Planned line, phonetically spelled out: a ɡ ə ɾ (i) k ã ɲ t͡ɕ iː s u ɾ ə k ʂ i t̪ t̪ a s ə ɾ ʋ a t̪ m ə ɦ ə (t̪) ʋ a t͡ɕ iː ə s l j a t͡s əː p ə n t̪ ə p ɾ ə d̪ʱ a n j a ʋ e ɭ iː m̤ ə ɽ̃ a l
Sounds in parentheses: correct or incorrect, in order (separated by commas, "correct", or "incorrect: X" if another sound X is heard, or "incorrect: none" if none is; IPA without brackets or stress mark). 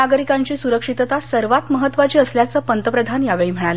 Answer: correct, correct